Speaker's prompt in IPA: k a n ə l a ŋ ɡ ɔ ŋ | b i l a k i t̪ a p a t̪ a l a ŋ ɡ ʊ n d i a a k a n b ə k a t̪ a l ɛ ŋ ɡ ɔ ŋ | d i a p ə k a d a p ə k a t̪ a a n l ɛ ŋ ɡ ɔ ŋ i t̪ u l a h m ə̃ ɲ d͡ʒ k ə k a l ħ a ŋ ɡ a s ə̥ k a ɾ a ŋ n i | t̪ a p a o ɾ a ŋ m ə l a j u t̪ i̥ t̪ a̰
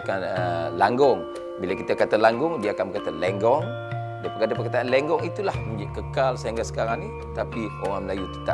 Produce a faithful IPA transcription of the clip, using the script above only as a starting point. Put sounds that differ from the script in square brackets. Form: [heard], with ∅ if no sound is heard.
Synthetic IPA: k a n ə l a ŋ ɡ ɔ ŋ | b i l a k i t̪ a [k] a t̪ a l a ŋ ɡ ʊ [ŋ] d i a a k a n b ə k a t̪ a l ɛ ŋ ɡ ɔ ŋ | d i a p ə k a d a p ə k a t̪ a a n l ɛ ŋ ɡ ɔ ŋ i t̪ u l a h m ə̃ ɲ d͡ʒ k ə k a l [s] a ŋ ɡ a s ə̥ k a ɾ a ŋ n i | t̪ a p [i] o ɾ a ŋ m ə l a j u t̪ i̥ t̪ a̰